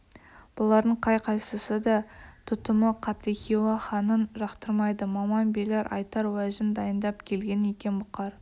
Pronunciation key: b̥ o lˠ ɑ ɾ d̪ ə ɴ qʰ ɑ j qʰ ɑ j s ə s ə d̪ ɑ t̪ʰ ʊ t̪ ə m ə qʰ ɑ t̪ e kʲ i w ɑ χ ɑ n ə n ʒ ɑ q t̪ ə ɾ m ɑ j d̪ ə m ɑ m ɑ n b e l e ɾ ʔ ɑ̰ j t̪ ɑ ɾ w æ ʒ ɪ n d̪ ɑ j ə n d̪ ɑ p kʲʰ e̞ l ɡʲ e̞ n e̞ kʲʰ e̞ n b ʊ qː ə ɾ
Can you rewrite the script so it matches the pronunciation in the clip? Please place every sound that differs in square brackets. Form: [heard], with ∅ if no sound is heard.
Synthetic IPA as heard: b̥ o lˠ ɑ ɾ d̪ ə ɴ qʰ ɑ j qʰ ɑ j s ə s ə d̪ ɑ t̪ʰ ʊ t̪ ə m ə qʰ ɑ t̪ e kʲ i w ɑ χ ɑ n ə n ʒ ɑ q t̪ ə ɾ m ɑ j d̪ ə m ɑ m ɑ n b e l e ɾ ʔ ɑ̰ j t̪ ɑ ɾ w æ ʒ ɪ n d̪ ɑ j ə n d̪ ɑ p kʲʰ e̞ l ɡʲ e̞ n e̞ [kʲ] e̞ n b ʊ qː [ɑ] ɾ